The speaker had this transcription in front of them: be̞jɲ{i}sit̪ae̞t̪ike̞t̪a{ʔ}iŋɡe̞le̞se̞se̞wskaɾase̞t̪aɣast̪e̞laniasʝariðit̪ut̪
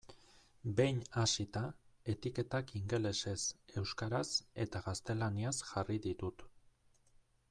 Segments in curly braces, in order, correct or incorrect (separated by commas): incorrect, incorrect